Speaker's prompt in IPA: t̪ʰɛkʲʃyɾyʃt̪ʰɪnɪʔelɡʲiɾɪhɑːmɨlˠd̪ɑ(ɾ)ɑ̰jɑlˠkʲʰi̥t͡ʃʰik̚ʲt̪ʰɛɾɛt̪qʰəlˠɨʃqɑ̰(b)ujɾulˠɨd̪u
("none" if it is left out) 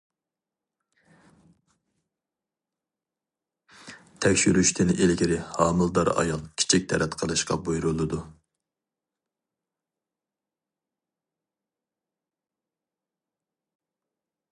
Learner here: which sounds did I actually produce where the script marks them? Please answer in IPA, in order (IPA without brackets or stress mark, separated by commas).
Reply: ɾ, b